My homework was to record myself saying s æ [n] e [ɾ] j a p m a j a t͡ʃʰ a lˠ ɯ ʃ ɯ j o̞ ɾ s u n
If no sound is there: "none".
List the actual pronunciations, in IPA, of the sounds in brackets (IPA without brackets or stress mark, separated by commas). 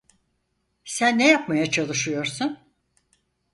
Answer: nː, none